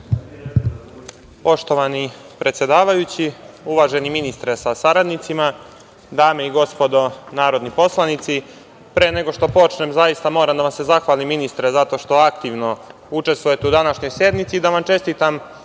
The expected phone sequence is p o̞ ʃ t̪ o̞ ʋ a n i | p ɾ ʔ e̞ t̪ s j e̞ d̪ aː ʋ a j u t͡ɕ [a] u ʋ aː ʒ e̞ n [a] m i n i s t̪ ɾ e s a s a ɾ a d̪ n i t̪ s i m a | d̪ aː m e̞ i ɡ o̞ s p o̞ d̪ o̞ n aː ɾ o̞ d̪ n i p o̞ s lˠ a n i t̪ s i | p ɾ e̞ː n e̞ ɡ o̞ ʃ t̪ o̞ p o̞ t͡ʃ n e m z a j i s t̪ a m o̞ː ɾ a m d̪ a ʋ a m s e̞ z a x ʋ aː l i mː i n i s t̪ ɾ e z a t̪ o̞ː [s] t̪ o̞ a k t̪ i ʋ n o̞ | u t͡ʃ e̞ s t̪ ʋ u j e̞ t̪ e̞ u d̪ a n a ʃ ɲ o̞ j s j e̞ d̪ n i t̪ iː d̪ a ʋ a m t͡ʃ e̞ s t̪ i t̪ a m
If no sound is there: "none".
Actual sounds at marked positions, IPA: i, i, ʃ

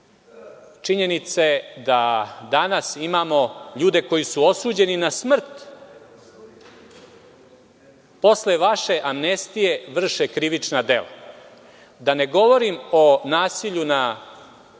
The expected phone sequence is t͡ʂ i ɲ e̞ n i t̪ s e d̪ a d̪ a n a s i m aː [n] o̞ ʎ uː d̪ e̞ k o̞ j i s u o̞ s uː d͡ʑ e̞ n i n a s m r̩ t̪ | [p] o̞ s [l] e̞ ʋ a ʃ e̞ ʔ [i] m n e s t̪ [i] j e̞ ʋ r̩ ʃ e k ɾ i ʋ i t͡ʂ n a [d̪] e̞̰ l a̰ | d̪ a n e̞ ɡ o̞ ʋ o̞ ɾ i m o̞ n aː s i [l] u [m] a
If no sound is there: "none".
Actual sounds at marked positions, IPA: m, p, l, a, i, d̪, ʎ, n

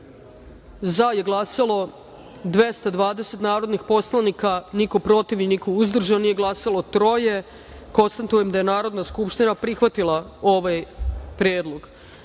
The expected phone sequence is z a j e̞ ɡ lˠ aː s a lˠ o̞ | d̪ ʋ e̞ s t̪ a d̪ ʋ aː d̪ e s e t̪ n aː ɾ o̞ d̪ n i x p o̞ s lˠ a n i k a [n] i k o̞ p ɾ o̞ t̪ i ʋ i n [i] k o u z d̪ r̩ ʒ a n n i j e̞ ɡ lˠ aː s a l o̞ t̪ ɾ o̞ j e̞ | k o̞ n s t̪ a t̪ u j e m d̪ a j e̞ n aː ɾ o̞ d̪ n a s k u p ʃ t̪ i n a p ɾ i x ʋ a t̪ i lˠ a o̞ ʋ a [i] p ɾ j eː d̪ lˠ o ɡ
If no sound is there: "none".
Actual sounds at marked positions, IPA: n, i, j

